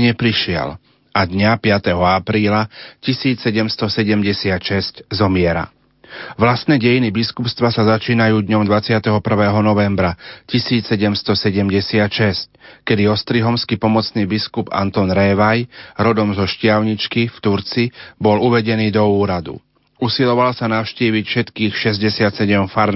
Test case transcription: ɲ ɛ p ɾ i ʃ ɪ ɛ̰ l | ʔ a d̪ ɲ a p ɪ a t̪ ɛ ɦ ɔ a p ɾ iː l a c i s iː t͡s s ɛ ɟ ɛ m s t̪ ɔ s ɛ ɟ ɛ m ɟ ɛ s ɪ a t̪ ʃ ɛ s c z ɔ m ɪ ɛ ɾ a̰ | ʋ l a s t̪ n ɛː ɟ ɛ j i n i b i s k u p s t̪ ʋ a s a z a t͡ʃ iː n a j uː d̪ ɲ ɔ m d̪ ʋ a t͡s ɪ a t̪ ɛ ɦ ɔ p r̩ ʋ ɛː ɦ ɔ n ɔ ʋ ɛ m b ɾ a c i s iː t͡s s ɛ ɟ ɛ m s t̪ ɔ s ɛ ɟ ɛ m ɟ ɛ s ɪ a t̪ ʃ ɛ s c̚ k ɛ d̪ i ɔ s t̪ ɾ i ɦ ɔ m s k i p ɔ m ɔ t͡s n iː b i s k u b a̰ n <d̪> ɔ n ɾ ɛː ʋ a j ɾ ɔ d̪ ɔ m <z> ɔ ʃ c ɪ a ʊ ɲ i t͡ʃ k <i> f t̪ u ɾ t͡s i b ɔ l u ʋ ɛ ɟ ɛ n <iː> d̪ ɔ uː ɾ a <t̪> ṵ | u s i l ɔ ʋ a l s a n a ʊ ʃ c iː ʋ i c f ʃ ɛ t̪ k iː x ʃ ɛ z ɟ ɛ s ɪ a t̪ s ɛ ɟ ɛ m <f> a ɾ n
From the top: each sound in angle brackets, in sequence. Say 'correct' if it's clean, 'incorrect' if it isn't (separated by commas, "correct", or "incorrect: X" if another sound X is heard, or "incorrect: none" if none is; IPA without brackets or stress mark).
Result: incorrect: t̪, correct, correct, correct, incorrect: d̪, correct